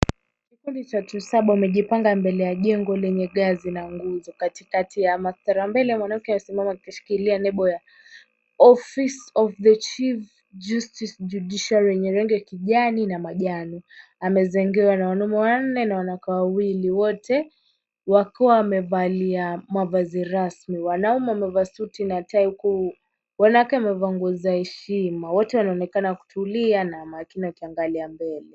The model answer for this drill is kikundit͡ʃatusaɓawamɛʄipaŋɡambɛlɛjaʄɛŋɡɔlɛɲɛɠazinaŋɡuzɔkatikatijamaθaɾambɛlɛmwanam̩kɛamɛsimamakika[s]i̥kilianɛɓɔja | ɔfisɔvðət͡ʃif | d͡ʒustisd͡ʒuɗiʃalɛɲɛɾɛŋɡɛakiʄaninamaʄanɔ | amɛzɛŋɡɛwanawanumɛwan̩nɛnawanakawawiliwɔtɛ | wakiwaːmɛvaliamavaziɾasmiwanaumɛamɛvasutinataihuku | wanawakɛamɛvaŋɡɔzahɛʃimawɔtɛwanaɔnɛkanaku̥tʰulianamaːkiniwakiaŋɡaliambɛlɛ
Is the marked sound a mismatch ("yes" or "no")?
yes